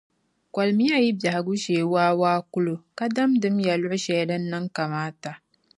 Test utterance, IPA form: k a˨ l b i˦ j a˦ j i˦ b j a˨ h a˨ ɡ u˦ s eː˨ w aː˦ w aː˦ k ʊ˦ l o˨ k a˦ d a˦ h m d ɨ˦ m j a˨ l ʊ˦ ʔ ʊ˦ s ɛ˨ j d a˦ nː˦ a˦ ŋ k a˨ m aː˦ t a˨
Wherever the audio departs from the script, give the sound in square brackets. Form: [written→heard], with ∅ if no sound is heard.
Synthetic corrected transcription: k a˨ l [b→m] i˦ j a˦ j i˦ b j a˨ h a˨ ɡ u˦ [s→ʃ] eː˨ w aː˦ w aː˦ k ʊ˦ l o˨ k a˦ d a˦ [h→∅] m d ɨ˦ m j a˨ l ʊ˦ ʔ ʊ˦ [s→ʃ] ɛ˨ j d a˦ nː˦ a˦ ŋ k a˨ m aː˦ t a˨